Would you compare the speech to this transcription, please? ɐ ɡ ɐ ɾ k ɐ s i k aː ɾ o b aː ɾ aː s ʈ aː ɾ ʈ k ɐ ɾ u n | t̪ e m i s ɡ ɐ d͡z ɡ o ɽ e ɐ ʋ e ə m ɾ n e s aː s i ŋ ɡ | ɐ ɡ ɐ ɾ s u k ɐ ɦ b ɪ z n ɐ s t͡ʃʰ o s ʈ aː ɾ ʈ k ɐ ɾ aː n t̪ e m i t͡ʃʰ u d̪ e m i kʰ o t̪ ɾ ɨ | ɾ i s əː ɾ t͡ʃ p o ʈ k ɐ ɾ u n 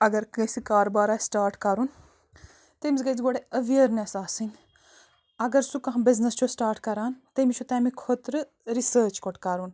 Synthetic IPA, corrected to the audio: ɐ ɡ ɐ ɾ k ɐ s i k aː ɾ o b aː ɾ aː s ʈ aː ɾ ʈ k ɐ ɾ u n | t̪ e m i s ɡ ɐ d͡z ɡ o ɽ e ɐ ʋ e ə ɾ n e s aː s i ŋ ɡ | ɐ ɡ ɐ ɾ s u k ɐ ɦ b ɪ z n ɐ s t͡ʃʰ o s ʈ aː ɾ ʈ k ɐ ɾ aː n t̪ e m i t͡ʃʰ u t̪ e m i kʰ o t̪ ɾ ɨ | ɾ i s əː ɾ t͡ʃ k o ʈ k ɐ ɾ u n